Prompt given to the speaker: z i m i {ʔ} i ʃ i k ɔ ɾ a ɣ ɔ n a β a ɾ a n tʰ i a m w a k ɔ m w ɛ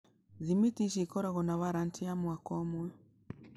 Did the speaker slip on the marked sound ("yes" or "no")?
yes